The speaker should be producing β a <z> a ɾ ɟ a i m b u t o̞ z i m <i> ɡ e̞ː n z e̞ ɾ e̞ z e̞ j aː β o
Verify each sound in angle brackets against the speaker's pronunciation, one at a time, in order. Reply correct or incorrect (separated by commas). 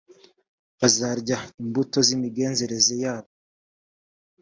correct, correct